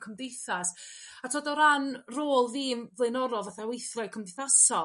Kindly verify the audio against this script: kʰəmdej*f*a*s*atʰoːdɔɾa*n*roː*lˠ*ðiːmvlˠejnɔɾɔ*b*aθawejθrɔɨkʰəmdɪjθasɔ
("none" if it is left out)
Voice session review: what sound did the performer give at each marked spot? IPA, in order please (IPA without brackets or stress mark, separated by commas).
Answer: θ, s, n, lˠ, v